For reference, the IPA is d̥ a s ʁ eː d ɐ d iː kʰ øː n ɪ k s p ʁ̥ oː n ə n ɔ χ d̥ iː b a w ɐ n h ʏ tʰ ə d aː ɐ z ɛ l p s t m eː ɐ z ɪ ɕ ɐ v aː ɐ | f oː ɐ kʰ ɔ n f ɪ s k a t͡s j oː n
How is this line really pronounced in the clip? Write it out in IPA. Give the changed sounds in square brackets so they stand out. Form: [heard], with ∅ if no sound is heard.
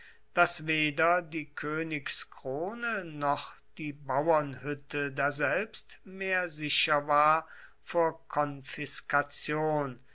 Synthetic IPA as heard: d̥ a s [v] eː d ɐ d iː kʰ øː n ɪ k s [k] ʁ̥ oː n ə n ɔ χ d̥ iː b a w ɐ n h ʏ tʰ ə d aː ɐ z ɛ l p s t m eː ɐ z ɪ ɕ ɐ v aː ɐ | f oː ɐ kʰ ɔ n f ɪ s k a t͡s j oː n